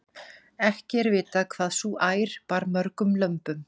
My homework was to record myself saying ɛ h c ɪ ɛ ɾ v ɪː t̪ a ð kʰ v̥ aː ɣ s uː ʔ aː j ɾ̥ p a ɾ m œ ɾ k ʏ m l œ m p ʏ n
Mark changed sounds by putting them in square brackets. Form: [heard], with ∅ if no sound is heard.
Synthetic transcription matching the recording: ɛ h c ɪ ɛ ɾ v ɪː t̪ a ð kʰ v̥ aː [ð] s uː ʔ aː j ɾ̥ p a ɾ m œ ɾ k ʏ m l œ m p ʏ [m]